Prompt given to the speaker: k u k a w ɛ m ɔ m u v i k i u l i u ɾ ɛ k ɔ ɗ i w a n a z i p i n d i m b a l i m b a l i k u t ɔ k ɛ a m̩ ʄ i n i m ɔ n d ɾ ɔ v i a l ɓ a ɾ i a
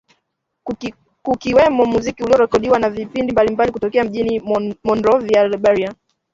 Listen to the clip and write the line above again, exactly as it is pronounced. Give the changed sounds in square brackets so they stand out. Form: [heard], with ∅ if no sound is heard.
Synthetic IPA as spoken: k u k [i] w ɛ m ɔ m u [z] i k i u l i [ɔ] ɾ ɛ k ɔ ɗ i w a n a [v] i p i n d i m b a l i m b a l i k u t ɔ k ɛ a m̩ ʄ i n i m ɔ n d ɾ ɔ v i a l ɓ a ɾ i a

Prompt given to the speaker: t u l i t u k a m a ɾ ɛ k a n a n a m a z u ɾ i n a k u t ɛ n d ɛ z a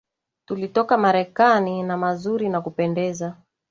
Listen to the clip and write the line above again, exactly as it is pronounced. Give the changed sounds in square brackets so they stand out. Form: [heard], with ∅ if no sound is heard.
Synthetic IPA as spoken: t u l i t [ɔ] k a m a ɾ ɛ k a n [i] n a m a z u ɾ i n a k u [p] ɛ n d ɛ z a

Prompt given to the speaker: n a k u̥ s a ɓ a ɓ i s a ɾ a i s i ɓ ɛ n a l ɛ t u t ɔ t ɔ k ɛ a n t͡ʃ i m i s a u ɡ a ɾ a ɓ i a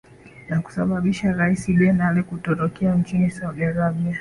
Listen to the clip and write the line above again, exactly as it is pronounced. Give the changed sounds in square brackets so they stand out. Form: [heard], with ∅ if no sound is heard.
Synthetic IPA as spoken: n a k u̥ s a ɓ a ɓ i [ʃ] a ɾ a i s i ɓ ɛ n a l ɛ [k] u t ɔ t ɔ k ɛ a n t͡ʃ i [n] i s a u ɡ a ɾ a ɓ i a

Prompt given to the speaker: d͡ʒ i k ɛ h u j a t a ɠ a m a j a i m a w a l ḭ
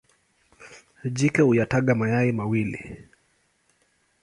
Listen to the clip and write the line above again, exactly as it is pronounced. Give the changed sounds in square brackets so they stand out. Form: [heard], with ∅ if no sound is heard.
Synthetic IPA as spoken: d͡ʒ i k ɛ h u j a t a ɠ a m a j a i m a w [i] l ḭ

